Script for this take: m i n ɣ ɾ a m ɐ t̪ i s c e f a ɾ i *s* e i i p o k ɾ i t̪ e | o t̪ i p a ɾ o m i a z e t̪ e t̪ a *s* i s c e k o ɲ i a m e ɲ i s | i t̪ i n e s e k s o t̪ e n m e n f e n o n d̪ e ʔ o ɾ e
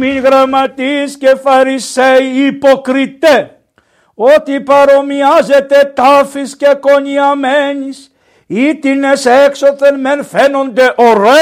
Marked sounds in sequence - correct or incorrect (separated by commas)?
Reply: correct, incorrect